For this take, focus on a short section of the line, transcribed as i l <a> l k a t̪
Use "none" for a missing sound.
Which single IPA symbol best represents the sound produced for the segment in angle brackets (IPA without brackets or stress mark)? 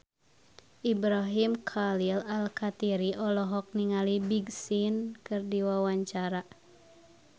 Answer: a